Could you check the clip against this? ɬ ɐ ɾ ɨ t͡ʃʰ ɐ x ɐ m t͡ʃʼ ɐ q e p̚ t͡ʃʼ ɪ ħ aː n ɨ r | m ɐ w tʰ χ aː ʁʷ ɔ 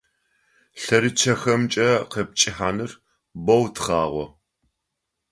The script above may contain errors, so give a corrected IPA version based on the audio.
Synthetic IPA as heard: ɬ ɐ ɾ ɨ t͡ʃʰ ɐ x ɐ m t͡ʃʼ ɐ q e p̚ t͡ʃʼ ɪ ħ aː n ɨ r | b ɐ w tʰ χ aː ʁʷ ɔ